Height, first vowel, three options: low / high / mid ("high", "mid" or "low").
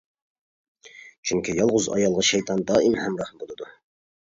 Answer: high